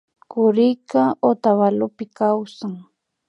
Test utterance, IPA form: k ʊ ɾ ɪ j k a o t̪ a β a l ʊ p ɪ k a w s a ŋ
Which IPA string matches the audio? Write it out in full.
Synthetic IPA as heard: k ʊ ɾ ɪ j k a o t̪ a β a l ʊ p ɪ k a w s a ŋ